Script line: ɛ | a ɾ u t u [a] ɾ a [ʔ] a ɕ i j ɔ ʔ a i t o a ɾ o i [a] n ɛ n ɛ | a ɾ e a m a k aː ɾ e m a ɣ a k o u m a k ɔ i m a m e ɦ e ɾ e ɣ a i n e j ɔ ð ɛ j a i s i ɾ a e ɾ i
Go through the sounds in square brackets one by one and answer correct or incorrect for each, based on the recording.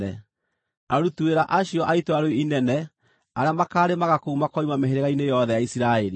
incorrect, correct, incorrect

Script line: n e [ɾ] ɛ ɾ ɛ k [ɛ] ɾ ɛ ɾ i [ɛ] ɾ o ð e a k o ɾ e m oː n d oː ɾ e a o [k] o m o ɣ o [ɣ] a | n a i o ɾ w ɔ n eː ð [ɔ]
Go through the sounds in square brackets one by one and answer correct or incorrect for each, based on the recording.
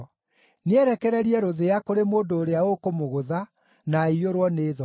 incorrect, correct, correct, correct, incorrect, correct

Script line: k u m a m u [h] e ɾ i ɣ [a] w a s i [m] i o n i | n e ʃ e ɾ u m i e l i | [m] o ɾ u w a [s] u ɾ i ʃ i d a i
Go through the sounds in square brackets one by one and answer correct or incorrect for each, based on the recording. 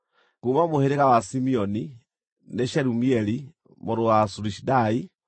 correct, correct, correct, correct, correct

